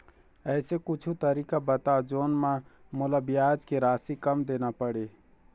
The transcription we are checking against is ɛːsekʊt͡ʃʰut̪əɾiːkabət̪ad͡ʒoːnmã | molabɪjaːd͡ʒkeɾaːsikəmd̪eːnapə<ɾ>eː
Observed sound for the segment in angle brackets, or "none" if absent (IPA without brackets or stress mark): ɽ